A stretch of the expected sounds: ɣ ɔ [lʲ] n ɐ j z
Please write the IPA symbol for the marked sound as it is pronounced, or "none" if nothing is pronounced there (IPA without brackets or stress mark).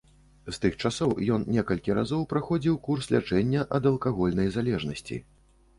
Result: lʲ